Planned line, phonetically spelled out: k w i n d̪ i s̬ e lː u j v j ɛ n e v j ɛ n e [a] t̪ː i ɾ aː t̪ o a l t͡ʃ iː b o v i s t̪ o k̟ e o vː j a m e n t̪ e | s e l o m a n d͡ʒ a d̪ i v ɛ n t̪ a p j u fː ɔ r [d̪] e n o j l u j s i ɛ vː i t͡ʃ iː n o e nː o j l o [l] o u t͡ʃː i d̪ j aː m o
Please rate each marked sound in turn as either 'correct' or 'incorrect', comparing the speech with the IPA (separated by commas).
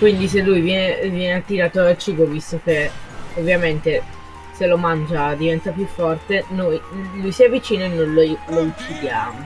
correct, incorrect, correct